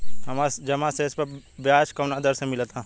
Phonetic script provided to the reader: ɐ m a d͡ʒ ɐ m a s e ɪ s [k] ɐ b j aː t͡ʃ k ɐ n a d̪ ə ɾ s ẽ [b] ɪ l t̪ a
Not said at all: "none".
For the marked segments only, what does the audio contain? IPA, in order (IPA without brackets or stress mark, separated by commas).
p, m